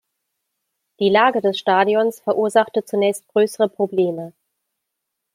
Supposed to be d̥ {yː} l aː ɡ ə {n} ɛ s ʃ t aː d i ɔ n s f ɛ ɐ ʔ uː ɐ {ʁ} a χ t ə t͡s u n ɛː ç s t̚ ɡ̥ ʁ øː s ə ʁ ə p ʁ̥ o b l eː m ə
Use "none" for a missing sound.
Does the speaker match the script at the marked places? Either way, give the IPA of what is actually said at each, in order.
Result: iː, d, z

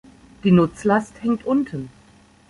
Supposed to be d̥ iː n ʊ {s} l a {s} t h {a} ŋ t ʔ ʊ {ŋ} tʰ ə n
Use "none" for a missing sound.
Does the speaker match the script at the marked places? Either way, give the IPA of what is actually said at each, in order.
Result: t͡s, s, ɛ, n

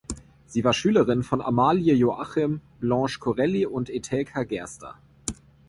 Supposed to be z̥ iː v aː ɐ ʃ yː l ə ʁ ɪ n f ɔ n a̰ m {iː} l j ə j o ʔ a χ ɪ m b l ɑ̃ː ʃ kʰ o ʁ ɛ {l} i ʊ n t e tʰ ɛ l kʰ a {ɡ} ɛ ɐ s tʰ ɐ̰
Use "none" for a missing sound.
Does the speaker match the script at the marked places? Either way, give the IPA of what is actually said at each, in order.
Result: aː, l, ɡ

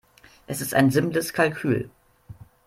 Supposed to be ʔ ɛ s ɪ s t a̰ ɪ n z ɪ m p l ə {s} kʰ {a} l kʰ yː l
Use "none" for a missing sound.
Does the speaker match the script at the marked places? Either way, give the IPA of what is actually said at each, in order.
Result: s, a

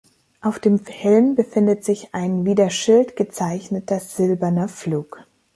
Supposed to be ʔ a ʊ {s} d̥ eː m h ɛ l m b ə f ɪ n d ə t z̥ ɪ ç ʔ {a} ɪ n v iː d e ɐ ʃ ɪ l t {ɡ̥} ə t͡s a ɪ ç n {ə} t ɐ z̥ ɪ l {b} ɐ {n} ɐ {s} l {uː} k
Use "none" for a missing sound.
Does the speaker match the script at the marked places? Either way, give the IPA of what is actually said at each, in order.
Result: f, a, ɡ̥, ə, b, n, f, uː

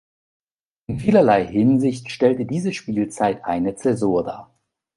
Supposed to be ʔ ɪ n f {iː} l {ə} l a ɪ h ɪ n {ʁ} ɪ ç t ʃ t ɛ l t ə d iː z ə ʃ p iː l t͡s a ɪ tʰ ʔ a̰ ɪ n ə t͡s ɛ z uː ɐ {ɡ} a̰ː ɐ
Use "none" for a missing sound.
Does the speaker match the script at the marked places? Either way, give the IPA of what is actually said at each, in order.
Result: iː, ɐ, z, d

